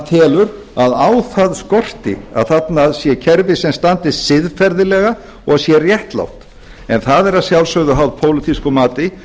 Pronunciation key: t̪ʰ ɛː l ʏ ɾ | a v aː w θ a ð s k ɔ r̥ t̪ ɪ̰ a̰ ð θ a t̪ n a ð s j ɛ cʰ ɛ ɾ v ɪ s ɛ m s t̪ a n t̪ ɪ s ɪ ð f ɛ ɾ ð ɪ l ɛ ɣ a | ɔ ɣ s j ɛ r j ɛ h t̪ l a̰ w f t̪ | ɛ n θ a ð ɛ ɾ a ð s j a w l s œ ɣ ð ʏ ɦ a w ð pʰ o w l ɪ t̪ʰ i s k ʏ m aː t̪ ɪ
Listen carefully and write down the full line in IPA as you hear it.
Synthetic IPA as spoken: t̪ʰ ɛː l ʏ ɾ | a ð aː w θ a ð s k ɔ r̥ t̪ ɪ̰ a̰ ð θ a t̪ n a ð s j ɛ cʰ ɛ ɾ v ɪ s ɛ m s t̪ a n t̪ ɪ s ɪ ð f ɛ ɾ ð ɪ l ɛ ɣ a | ɔ ɣ s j ɛ r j ɛ h t̪ l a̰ w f t̪ | ɛ n θ a ð ɛ ɾ a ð s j a w l s œ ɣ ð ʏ ɦ a w ð pʰ o w l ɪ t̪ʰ i s k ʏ m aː t̪ ɪ